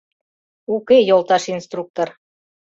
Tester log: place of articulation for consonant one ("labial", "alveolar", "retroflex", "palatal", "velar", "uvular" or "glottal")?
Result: velar